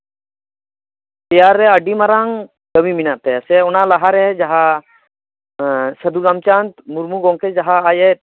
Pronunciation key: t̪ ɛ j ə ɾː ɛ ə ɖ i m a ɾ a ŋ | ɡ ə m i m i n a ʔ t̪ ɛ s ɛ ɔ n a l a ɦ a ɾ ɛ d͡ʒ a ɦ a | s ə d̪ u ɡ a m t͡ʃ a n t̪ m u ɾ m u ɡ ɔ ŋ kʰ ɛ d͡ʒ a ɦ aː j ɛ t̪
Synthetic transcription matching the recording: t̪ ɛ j a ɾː ɛ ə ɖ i m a ɾ a ŋ | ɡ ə m i m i n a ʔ t̪ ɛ s ɛ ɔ n a l a ɦ a ɾ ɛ d͡ʒ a ɦ a | s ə d̪ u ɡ a m t͡ʃ a n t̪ m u ɾ m u ɡ ɔ ŋ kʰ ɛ d͡ʒ a ɦ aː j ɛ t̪